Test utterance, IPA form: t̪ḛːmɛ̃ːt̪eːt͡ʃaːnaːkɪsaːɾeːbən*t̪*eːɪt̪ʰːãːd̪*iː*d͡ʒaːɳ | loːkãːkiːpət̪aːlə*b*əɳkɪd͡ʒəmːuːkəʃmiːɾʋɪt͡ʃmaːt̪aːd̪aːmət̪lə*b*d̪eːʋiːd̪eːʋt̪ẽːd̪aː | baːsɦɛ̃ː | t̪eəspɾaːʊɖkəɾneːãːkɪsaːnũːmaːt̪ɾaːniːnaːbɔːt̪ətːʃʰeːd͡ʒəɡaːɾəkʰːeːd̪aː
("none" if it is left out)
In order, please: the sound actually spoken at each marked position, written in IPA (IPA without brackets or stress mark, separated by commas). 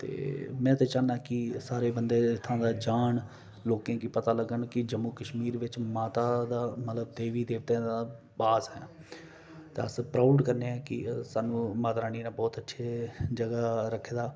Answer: d̪, aː, ɡ, b